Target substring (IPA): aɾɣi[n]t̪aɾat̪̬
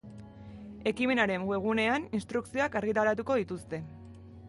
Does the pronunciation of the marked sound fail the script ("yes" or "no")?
yes